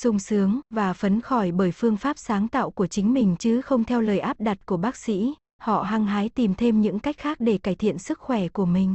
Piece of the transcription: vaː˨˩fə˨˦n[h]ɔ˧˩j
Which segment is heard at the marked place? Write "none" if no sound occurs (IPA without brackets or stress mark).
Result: x